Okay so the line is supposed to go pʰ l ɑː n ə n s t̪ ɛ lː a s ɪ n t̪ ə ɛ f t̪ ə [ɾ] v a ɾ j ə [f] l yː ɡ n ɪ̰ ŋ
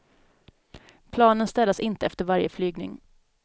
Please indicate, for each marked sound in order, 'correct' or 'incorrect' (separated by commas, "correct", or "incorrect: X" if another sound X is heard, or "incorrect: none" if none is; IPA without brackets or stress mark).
correct, correct